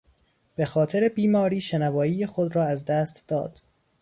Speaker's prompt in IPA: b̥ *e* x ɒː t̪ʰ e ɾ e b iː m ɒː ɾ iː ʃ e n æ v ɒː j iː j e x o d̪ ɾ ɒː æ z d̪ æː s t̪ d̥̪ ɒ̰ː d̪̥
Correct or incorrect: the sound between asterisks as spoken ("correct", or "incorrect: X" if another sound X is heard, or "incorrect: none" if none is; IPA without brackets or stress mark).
correct